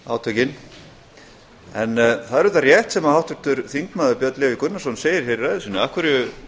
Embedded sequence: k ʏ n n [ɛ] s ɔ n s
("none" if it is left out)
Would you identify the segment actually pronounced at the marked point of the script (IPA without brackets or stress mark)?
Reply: a